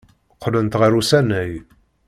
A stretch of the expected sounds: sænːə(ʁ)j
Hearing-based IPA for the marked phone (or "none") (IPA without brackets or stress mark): none